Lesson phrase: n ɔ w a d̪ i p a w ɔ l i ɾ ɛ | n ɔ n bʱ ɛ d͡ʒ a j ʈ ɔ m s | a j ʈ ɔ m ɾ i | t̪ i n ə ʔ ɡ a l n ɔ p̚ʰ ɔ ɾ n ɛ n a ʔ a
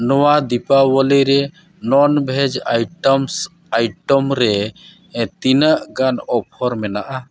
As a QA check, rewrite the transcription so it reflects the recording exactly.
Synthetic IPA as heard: n ɔ w a d̪ i p a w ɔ l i ɾ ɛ | n ɔ n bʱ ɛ d͡ʒ a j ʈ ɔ m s | a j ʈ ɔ m ɾ ɛ | t̪ i n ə ʔ ɡ a n ɔ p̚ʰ ɔ ɾ m ɛ n a ʔ a